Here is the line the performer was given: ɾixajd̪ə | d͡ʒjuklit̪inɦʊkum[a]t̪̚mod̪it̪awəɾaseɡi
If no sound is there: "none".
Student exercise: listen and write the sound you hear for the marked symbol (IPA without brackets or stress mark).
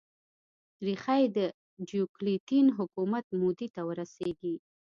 a